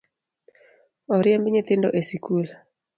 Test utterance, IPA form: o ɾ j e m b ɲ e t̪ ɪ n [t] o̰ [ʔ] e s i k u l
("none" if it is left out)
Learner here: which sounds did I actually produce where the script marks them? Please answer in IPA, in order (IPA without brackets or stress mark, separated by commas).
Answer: d, ʔ